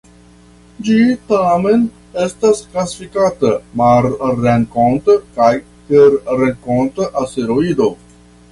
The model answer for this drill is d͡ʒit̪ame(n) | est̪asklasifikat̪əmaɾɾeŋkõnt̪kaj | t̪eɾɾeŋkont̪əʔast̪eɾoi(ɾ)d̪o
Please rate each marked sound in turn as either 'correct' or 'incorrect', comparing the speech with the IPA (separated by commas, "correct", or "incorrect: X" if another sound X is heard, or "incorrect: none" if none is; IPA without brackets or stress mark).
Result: correct, incorrect: none